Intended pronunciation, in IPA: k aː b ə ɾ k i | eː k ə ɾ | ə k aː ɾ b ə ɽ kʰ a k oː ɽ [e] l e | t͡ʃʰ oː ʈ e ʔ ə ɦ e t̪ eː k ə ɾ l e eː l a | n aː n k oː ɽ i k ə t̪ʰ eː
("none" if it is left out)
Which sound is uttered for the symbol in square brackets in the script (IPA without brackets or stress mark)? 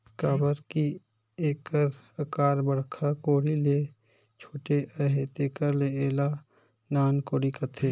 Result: i